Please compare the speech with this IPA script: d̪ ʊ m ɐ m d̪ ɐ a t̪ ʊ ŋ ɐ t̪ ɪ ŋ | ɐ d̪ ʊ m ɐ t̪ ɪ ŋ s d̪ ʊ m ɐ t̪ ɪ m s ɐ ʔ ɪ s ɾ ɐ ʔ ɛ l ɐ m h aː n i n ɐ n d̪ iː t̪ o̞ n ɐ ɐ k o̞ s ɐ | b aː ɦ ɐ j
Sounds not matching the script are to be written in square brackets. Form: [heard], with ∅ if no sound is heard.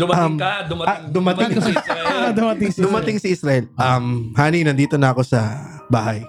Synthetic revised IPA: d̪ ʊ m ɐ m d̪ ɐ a [d̪] ʊ [m] ɐ t̪ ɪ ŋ | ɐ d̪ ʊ m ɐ t̪ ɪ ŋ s d̪ ʊ m ɐ t̪ ɪ [ŋ] s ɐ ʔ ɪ s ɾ ɐ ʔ ɛ l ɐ m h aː n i n ɐ n d̪ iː t̪ o̞ n ɐ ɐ k o̞ s ɐ | b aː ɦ ɐ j